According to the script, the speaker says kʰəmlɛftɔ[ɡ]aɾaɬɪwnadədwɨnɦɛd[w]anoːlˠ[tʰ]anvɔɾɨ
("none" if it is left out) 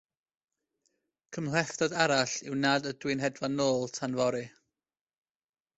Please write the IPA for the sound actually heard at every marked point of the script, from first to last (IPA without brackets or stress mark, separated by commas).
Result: d, v, tʰ